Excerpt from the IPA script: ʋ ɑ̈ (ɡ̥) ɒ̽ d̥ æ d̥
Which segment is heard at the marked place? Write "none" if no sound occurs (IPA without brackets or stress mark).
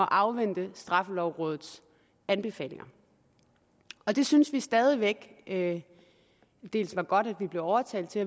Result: ɡ̥